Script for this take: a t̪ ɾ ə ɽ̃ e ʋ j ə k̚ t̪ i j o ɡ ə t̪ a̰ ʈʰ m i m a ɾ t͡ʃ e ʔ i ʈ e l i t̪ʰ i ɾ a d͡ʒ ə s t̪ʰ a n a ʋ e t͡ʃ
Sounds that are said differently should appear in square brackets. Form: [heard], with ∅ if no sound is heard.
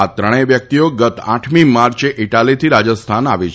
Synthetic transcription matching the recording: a t̪ ɾ ə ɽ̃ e ʋ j ə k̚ t̪ i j o ɡ ə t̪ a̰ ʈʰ m i m a ɾ t͡ʃ e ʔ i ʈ [a] l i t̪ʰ i ɾ a d͡ʒ ə s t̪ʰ a n a ʋ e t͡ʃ